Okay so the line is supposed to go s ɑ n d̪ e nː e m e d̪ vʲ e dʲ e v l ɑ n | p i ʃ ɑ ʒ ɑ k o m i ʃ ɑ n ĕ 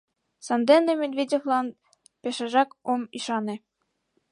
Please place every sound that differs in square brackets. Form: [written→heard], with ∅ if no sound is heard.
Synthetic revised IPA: s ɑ n d̪ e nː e m e d̪ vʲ e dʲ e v l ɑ n | p [i→e] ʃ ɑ ʒ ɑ k o m i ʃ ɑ n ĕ